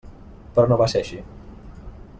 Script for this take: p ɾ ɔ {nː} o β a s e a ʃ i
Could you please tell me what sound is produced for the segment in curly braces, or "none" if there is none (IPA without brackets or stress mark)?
n